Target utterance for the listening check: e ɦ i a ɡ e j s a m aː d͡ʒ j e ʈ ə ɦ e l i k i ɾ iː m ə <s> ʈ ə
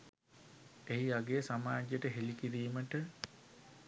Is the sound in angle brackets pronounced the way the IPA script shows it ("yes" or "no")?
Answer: no